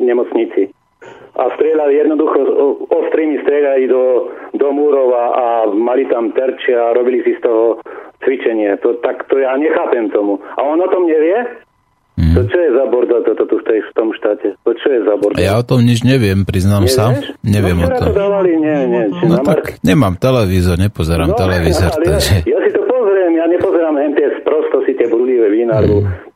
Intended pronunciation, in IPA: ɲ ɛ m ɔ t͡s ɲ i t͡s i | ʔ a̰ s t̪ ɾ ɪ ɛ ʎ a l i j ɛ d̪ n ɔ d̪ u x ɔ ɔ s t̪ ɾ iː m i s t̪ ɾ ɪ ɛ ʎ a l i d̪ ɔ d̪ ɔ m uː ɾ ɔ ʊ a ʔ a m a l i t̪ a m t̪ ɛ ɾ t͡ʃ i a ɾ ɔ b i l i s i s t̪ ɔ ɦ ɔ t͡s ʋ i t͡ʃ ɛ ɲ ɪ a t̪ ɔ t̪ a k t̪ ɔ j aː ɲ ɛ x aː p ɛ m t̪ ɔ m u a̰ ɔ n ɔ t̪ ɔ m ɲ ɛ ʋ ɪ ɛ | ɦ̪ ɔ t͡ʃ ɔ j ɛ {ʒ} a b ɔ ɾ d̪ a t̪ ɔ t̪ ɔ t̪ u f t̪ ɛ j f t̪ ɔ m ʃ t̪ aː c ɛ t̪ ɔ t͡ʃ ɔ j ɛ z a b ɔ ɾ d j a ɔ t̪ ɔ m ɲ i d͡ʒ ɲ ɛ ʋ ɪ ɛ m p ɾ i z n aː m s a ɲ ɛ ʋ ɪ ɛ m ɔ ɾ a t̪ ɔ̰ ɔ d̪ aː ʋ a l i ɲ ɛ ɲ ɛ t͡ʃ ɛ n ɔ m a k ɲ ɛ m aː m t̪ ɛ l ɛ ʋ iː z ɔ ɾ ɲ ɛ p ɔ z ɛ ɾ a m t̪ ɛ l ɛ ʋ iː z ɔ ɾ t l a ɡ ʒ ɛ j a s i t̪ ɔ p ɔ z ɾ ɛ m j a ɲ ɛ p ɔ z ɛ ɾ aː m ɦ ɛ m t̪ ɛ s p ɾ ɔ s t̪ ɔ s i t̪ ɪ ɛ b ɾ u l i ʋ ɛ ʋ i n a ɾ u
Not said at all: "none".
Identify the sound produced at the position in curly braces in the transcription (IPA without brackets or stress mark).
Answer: z